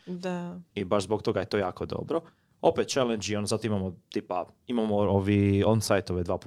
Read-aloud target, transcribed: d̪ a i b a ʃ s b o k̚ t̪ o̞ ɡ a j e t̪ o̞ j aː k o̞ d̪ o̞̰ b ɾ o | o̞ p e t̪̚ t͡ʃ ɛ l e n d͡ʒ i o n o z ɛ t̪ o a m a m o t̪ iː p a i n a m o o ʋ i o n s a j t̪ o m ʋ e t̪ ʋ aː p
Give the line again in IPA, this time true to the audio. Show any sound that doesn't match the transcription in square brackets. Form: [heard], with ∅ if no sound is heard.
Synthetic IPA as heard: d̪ a i b a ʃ [z] b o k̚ t̪ o̞ ɡ a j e t̪ o̞ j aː k o̞ d̪ o̞̰ b ɾ o | o̞ p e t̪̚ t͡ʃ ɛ l e n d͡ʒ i o n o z [a] t̪ o [i] m a m o t̪ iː p a i [m] a m o o ʋ i o n s a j t̪ o [∅] ʋ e [d̪] ʋ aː p